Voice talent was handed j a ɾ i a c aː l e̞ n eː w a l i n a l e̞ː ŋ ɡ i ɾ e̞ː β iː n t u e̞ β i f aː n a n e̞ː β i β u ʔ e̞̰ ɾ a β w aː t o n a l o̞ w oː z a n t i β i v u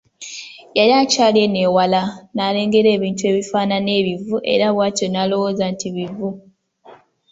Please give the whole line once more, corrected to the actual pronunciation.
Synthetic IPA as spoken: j a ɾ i a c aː l e̞ n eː w a l a n a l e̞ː ŋ ɡ e ɾ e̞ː β iː n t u e̞ β i f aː n a n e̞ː β i v u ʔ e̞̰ ɾ a β w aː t o n a l o̞ w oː z a n t i β i v u